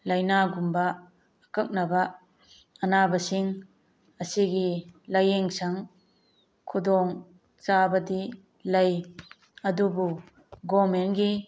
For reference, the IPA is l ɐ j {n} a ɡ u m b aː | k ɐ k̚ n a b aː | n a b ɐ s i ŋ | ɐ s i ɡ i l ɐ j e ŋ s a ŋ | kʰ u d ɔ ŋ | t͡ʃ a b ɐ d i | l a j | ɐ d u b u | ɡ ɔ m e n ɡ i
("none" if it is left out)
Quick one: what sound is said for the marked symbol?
n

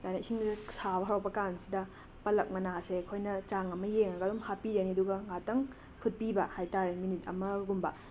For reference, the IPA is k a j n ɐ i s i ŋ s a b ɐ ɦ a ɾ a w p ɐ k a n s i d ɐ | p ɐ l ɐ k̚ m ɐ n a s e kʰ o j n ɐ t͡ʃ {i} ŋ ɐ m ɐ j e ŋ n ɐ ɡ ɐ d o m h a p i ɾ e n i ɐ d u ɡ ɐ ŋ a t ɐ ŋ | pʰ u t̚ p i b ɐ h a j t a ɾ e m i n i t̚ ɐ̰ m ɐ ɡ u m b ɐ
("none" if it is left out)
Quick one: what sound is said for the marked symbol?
a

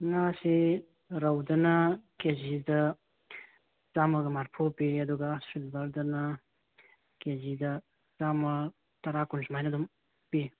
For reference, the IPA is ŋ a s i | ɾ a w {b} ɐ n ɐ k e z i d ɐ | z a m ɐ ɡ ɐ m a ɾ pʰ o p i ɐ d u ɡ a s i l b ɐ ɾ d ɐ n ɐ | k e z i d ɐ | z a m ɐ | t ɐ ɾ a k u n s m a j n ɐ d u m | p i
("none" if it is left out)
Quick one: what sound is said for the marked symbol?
d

